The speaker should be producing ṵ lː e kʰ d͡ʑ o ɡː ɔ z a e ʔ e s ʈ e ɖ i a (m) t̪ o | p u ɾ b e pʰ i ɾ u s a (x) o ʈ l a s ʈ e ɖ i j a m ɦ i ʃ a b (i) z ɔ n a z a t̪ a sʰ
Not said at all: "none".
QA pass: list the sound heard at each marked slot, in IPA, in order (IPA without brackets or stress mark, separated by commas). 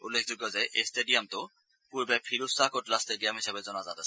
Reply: m, k, e